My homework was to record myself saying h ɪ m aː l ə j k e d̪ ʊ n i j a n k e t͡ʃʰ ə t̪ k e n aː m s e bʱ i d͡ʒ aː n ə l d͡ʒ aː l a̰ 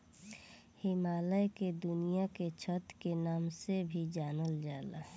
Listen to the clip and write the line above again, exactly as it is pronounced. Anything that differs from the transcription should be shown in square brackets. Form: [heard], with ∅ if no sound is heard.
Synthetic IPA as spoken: h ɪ m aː l ə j k e d̪ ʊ n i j a [∅] k e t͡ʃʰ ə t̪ k e n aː m s e bʱ i d͡ʒ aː n ə l d͡ʒ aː l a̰